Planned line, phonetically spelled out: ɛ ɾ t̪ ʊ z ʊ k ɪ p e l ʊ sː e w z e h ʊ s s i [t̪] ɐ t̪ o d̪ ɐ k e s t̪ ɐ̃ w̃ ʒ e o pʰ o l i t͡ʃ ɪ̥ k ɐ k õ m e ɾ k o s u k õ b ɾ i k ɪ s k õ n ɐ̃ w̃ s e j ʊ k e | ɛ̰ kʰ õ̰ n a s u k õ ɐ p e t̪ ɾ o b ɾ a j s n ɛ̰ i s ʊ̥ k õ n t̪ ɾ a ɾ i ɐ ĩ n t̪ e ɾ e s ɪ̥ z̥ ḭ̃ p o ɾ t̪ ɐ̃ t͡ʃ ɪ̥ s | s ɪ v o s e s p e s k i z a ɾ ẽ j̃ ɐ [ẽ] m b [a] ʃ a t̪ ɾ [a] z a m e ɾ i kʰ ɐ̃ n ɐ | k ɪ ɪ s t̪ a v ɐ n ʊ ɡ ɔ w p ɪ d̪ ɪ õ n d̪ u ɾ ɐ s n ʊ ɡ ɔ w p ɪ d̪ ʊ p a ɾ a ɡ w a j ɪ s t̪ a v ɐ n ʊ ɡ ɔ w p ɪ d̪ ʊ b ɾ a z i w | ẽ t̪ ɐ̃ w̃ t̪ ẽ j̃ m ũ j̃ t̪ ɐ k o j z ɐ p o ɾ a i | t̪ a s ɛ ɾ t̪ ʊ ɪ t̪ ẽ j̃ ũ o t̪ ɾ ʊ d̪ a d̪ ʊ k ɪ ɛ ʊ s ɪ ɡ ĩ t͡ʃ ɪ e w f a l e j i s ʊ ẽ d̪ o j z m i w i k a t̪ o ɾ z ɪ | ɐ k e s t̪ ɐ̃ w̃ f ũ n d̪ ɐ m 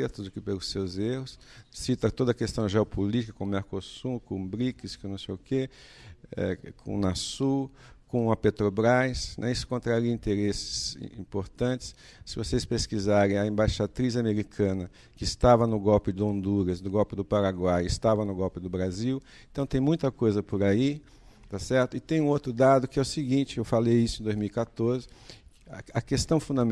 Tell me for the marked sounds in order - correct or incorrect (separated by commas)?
correct, correct, correct, incorrect